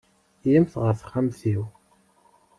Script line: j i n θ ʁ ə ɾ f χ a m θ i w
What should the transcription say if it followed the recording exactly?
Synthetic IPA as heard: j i m θ ʁ ə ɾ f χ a m θ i w